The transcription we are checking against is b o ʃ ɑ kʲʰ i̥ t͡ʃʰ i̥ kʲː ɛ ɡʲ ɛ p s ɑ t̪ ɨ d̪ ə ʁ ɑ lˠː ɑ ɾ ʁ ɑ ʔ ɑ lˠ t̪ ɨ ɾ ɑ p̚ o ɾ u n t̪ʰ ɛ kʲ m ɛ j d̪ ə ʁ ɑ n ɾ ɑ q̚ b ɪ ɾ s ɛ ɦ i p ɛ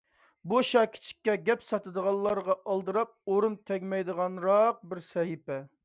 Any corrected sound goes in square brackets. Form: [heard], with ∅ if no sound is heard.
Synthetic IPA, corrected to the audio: b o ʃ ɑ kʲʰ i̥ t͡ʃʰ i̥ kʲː ɛ ɡʲ ɛ p s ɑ t̪ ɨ d̪ ə ʁ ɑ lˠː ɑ ɾ ʁ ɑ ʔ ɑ lˠ [d̪] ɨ ɾ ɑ p̚ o ɾ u n t̪ʰ ɛ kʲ m ɛ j d̪ ə ʁ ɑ n ɾ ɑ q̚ b ɪ ɾ s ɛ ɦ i p ɛ